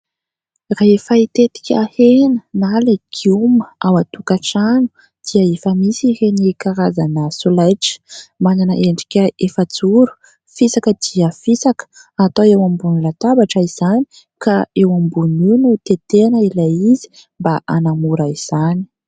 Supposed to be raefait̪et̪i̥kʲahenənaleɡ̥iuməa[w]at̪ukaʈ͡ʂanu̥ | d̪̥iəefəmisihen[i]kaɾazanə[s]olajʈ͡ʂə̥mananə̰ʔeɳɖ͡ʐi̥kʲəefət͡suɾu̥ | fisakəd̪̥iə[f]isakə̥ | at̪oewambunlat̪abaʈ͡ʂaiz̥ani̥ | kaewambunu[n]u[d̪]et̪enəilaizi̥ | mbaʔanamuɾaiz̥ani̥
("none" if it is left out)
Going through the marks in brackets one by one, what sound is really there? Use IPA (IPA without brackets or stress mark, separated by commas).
w, i, s, f, n, t̪